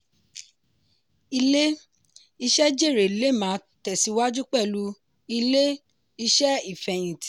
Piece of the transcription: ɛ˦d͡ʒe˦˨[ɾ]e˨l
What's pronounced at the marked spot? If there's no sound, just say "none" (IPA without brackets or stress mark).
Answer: ɾ